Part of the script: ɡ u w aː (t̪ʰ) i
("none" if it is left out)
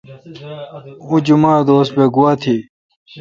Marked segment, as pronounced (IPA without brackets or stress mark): t̪ʰ